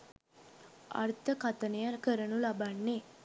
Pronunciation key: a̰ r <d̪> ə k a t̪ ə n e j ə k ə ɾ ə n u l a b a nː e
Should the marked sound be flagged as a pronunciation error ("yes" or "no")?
yes